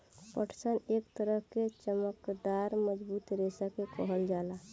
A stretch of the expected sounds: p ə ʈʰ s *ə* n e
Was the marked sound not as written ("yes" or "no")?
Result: no